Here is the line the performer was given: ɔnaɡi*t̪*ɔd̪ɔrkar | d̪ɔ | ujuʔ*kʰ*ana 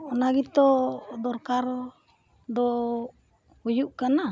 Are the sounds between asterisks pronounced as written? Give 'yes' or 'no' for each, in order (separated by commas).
yes, no